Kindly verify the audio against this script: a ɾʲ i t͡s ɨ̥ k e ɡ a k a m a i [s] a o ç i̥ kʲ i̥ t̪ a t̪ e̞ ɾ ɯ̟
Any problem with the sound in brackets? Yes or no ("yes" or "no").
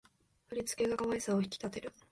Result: no